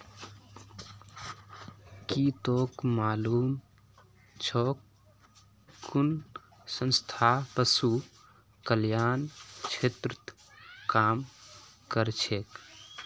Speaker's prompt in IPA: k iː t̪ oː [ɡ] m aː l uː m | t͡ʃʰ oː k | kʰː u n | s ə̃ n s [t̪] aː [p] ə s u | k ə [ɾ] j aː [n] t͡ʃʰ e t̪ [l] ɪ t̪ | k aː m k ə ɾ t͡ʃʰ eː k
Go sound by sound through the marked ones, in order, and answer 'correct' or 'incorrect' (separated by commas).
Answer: incorrect, incorrect, correct, incorrect, correct, incorrect